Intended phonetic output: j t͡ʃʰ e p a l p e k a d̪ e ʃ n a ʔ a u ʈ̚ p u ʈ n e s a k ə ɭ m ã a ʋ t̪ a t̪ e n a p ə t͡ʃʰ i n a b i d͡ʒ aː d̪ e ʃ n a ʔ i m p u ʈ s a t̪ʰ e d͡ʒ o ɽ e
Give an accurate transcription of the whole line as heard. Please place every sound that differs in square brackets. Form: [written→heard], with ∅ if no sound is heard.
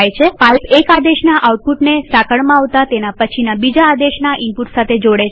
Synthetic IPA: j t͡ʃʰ e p a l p e k a d̪ e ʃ n a ʔ a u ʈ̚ p u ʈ n e s a k ə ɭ m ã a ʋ t̪ a t̪ e n a p ə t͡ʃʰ i n a b i d͡ʒ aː d̪ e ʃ n a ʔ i m p u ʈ s a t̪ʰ e d͡ʒ o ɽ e